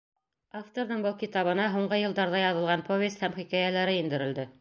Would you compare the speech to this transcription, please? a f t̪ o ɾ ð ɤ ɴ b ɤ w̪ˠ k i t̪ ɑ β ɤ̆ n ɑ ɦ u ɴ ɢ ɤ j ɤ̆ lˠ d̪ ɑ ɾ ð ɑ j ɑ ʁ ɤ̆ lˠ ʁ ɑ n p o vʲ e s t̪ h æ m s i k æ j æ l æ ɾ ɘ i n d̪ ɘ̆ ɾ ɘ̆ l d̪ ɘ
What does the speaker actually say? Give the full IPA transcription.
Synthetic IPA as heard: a f t̪ o ɾ ð ɤ ɴ b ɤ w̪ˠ k i t̪ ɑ β ɤ̆ n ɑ ɦ u ɴ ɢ ɤ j ɤ̆ lˠ d̪ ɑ ɾ ð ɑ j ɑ ð ɤ̆ lˠ ʁ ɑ n p o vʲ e s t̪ h æ m χ i k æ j æ l æ ɾ ɘ i n d̪ ɘ̆ ɾ ɘ̆ l d̪ ɘ